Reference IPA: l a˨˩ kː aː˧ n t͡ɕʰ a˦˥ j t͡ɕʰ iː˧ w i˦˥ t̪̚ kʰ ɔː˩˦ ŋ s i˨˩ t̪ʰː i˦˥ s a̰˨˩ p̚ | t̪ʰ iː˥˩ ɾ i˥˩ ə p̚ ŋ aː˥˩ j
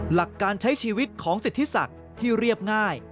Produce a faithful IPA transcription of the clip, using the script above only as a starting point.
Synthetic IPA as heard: l a˨˩ kː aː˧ n t͡ɕʰ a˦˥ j t͡ɕʰ iː˧ w i˦˥ t̪̚ kʰ ɔː˩˦ ŋ s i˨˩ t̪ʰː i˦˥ s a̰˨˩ k̚ | t̪ʰ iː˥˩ ɾ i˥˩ ə p̚ ŋ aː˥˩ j